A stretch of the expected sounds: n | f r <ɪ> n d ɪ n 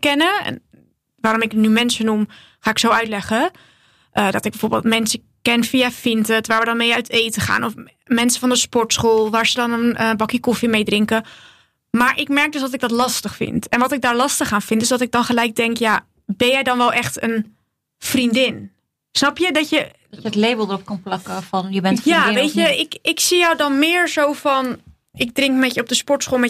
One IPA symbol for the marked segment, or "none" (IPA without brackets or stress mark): i